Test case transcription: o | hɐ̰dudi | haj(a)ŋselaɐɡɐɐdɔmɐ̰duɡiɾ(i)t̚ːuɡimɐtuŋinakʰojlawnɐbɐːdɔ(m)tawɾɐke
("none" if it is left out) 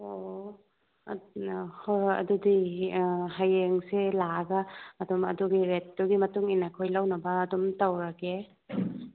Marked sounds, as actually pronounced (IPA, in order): e, e, m

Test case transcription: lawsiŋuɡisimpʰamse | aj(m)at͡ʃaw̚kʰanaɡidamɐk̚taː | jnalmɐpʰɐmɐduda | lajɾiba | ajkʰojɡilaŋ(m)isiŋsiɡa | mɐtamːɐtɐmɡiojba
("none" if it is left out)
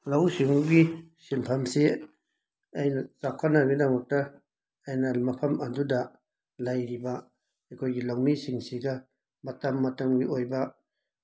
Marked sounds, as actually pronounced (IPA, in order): n, m

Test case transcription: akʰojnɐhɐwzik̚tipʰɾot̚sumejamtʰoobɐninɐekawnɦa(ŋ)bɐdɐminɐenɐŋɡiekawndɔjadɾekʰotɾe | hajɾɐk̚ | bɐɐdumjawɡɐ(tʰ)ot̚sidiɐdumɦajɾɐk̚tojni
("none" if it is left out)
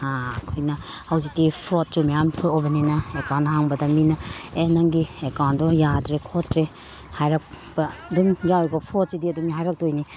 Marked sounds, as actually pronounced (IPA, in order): ŋ, pʰ

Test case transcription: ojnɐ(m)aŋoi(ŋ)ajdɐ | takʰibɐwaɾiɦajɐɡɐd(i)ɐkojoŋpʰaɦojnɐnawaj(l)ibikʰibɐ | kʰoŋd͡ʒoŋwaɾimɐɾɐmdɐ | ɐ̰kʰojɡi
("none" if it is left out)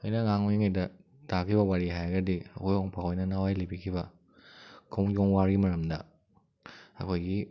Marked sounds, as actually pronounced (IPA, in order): ŋ, ŋ, i, l

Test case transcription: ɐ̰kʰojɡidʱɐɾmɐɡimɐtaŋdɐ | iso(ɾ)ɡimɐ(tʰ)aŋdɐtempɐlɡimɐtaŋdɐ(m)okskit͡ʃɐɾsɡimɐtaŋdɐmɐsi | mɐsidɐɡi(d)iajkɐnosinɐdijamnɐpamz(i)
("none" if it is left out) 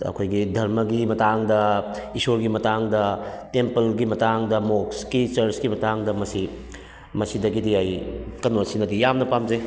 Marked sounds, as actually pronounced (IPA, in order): ɾ, t, m, d, e

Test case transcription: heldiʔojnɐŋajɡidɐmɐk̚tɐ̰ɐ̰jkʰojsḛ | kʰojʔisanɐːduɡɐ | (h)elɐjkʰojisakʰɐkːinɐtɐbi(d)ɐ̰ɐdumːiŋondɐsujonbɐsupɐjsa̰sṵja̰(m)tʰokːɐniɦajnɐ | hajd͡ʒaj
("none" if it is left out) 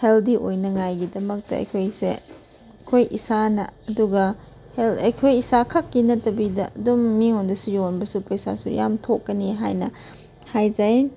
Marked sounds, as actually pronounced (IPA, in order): h, d, m

